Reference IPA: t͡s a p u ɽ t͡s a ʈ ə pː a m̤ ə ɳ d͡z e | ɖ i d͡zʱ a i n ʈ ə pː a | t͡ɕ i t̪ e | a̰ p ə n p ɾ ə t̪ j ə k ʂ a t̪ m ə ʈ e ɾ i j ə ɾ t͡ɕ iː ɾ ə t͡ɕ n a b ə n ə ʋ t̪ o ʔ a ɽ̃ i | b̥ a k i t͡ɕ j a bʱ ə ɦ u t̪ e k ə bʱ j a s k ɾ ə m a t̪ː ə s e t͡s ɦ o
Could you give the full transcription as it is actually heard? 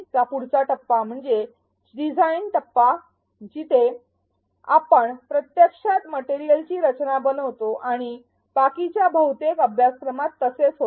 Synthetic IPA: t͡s a p u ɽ t͡s a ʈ ə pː a m̤ ə ɳ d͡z e | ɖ i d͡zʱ a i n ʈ ə pː a | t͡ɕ i t̪ e | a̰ p ə ɳ p ɾ ə t̪ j ə k ʂ a t̪ m ə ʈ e ɾ i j ə l t͡ɕ iː ɾ ə t͡ɕ n a b ə n ə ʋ t̪ o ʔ a ɽ̃ i | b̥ a k i t͡ɕ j a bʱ ə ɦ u t̪ e k ə bʱ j a s k ɾ ə m a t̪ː ə s e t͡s ɦ o

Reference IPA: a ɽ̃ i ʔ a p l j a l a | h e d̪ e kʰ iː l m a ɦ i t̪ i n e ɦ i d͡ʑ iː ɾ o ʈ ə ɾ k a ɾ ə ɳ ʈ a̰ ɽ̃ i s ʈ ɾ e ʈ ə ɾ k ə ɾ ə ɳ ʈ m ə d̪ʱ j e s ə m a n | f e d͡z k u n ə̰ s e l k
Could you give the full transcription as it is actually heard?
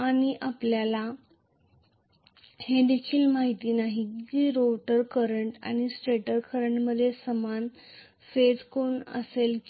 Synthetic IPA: a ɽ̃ i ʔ a p l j a l a | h e d̪ e kʰ iː l m a ɦ i t̪ i n a ɦ i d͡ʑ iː ɾ o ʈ ə ɾ k ə ɾ ə ɳ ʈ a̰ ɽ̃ i s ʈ ɾ e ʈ ə ɾ k ə ɾ ə ɳ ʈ m ə d̪ʱ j e s ə m a n | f e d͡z k o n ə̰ s e l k

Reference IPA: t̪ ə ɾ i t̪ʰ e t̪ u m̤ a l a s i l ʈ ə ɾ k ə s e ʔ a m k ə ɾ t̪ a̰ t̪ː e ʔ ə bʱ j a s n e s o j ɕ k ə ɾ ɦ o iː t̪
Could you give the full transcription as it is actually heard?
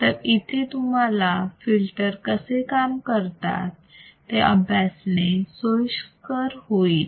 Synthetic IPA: t̪ ə ɾ i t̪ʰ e t̪ u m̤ a l a f i l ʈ ə ɾ k ə s e k a m k ə ɾ t̪ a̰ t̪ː e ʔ ə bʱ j a s n e s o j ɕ k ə ɾ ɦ o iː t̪

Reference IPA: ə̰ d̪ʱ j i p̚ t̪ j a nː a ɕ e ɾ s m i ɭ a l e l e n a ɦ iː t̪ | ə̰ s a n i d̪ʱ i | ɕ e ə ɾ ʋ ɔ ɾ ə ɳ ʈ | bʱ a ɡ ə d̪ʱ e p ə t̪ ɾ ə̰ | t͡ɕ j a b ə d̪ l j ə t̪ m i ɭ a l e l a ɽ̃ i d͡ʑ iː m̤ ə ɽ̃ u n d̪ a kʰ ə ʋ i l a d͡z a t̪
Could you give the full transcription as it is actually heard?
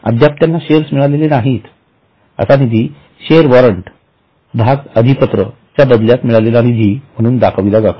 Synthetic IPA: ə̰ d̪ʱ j a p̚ t̪ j a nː a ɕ e ɾ s m i ɭ a l e l e n a ɦ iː t̪ | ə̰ s a n i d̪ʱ i | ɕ e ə ɾ ʋ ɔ ɾ ə ɳ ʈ | bʱ a ɡ ə d̪ʱ i p ə t̪ ɾ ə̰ | t͡ɕ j a b ə d̪ l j a t̪ m i ɭ a l e l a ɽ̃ i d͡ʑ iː m̤ ə ɽ̃ uː n d̪ a kʰ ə ʋ i l a d͡z a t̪

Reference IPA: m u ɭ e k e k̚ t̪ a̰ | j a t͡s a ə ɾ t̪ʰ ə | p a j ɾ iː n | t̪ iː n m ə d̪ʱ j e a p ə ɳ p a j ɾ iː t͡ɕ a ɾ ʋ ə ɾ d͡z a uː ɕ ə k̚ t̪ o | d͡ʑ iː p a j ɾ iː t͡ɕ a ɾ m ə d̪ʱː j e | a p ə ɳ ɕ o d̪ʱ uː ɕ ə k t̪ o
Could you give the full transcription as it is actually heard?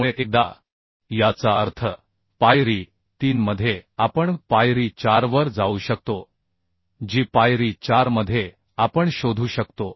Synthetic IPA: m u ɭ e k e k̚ d̪ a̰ | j a t͡s a ə ɾ t̪ʰ ə | p a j ɾ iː | t̪ iː n m ə d̪ʱ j e a p ə ɳ p a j ɾ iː t͡ɕ a ɾ ʋ ə ɾ d͡z a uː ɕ ə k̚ t̪ o | d͡ʑ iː p a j ɾ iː t͡ɕ a ɾ m ə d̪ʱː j e | a p ə ɳ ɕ o d̪ʱ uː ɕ ə k t̪ o

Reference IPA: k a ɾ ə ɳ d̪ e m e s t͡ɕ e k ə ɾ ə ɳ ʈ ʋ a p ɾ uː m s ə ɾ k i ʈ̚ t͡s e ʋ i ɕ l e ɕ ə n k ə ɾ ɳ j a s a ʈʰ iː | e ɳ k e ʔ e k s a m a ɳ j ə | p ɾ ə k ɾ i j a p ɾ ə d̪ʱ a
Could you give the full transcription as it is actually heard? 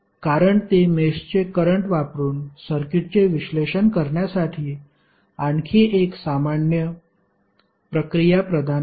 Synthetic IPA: k a ɾ ə ɳ t̪ e m e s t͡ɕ e k ə ɾ ə ɳ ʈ ʋ a p ɾ uː n s ə ɾ k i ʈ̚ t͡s e ʋ i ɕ l e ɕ ə n k ə ɾ ɳ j a s a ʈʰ iː | a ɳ kʰ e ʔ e k s a m a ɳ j ə | p ɾ ə k ɾ i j a p ɾ ə d̪ʱ a

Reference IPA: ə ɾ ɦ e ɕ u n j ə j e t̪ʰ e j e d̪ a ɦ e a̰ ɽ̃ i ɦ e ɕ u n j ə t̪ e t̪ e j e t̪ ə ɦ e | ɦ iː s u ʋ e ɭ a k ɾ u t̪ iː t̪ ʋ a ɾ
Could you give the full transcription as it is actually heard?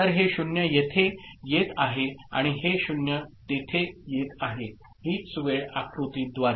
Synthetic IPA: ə ɾ ɦ e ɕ u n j ə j e t̪ʰ e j e t̪ a ɦ e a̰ ɽ̃ i ɦ e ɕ u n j ə t̪ e t̪ʰ e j e t̪ a ɦ e | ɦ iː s u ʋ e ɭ a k ɾ u t̪ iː d̪ ʋ a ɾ

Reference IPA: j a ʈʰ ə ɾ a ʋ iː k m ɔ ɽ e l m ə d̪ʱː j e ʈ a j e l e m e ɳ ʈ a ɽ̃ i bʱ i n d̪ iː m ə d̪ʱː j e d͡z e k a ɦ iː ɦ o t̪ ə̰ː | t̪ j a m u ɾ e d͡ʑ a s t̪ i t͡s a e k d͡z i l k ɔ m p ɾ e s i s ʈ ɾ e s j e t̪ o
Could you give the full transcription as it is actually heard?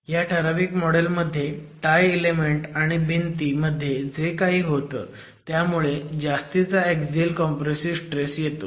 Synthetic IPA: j a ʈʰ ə ɾ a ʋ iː k m ɔ ɽ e l m ə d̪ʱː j e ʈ a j e l e m e ɳ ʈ a ɽ̃ i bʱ i n t̪ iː m ə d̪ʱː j e d͡z e k a ɦ iː ɦ o t̪ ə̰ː | t̪ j a m u ɭ e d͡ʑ a s t̪ i t͡s a e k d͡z i l k ɔ m p ɾ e s i s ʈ ɾ e s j e t̪ o

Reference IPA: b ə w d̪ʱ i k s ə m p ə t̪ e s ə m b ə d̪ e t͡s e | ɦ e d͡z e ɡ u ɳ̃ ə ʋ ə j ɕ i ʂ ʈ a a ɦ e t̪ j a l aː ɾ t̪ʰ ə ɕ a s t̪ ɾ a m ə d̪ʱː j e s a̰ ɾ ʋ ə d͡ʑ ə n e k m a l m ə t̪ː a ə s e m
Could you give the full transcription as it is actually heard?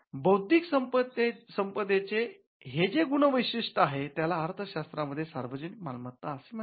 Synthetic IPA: b ə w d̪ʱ i k s ə m p ə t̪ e s ə m p ə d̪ e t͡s e | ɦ e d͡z e ɡ u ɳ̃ ə ʋ ə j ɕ i ʂ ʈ ə a ɦ e t̪ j a l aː ɾ t̪ʰ ə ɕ a s t̪ ɾ a m ə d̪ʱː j e s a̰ ɾ ʋ ə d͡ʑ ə n i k m a l m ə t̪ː a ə s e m

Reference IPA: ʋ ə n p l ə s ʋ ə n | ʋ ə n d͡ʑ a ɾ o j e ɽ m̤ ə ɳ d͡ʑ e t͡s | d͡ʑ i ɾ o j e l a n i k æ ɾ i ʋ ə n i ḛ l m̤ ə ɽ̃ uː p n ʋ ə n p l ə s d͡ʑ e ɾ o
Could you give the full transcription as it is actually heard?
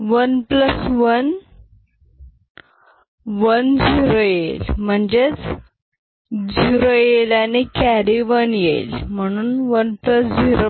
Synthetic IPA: ʋ ə n p l ə s ʋ ə n | ʋ ə n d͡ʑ i ɾ o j e l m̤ ə ɳ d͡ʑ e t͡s | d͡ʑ i ɾ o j e l a n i k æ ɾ i ʋ ə n j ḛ l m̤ ə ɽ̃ uː n ʋ ə n p l ə s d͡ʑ i ɾ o

